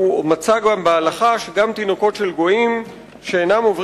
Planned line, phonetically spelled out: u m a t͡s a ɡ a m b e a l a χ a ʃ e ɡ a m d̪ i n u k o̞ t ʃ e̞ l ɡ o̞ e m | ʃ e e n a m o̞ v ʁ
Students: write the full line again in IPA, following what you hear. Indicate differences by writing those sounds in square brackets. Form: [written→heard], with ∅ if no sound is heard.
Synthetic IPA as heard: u m a t͡s a ɡ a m b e a l a χ a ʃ e ɡ a m [d̪→t̪] i n [u→o] k o̞ t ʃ e̞ l ɡ o̞ [e→i] m | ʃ e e n a m o̞ v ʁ